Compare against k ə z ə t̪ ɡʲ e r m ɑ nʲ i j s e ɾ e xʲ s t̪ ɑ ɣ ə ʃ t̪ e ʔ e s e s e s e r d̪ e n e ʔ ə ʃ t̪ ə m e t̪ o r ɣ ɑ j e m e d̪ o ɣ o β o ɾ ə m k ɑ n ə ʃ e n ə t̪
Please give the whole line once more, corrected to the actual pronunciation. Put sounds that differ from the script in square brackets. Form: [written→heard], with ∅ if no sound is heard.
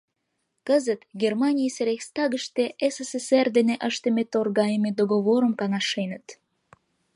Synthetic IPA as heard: k ə z ə t̪ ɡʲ e r m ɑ nʲ i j s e ɾ e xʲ s t̪ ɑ ɣ ə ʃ t̪ e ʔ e s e s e s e r d̪ e n e ʔ ə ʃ t̪ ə m e t̪ o r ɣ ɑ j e m e d̪ o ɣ o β o ɾ ə m k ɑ n [ə→ɑ] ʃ e n ə t̪